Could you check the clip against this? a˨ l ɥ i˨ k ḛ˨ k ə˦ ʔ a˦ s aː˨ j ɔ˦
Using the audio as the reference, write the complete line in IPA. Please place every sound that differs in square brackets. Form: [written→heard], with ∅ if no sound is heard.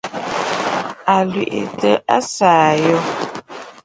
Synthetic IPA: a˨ l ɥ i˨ [k→ʔ] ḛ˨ [k→t] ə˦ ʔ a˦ s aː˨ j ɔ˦